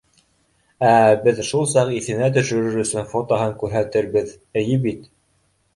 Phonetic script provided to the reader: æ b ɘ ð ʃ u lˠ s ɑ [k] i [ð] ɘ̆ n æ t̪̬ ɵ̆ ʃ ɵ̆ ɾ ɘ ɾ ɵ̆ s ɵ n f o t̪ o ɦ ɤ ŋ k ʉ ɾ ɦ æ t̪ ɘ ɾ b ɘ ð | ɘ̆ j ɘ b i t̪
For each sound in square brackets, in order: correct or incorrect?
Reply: incorrect, incorrect

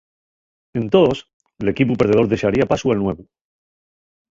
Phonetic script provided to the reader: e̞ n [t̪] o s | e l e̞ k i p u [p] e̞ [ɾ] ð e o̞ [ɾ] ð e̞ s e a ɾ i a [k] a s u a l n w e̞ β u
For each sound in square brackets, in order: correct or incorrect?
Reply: correct, correct, correct, correct, incorrect

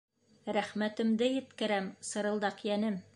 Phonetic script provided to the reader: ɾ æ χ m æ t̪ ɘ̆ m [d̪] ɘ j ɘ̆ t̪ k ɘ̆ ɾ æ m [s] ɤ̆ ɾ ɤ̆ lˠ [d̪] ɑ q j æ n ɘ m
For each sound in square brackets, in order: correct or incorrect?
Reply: correct, correct, correct

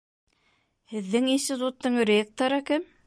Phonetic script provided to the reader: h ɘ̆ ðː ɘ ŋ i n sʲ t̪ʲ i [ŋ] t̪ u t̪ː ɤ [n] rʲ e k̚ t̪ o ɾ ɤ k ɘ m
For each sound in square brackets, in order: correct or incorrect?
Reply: incorrect, incorrect

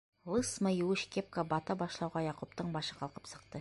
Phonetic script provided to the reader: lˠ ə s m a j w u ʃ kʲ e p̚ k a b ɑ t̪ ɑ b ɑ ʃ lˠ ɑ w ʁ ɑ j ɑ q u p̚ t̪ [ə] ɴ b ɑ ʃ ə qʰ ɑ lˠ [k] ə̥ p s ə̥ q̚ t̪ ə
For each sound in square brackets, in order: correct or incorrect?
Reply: correct, incorrect

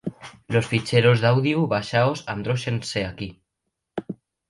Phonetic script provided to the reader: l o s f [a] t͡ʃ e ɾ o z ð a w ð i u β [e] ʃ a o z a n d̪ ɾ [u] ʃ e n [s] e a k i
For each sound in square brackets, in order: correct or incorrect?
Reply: incorrect, incorrect, incorrect, correct

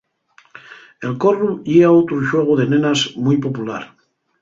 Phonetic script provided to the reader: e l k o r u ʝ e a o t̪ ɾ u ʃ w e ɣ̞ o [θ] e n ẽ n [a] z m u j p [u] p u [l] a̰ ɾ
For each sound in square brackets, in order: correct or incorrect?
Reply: incorrect, correct, incorrect, correct

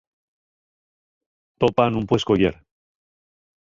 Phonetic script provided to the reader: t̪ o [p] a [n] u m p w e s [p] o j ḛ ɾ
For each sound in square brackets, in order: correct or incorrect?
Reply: correct, correct, incorrect

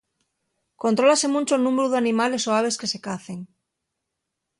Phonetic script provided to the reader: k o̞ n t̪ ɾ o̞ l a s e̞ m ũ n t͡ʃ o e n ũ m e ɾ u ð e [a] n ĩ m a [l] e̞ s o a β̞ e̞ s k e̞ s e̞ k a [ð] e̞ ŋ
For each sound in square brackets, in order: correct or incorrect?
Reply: correct, correct, incorrect

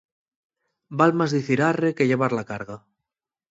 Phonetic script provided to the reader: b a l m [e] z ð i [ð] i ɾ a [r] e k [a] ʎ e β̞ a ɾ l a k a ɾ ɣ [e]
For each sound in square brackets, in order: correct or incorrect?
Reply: incorrect, incorrect, correct, incorrect, incorrect

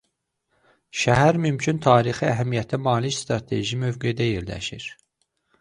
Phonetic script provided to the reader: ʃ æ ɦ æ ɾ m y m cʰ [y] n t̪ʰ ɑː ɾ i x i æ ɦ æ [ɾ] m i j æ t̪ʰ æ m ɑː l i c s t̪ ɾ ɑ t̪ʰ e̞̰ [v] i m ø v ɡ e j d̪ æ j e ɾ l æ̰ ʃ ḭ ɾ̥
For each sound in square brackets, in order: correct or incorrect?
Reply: correct, incorrect, incorrect

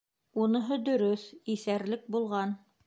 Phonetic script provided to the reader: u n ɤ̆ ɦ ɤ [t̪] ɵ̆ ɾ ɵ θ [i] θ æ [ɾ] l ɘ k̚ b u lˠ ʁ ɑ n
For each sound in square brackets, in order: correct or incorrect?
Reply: incorrect, correct, correct

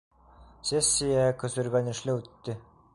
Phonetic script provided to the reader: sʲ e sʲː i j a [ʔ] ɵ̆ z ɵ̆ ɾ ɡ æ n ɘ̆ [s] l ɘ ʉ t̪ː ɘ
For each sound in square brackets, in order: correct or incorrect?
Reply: incorrect, incorrect

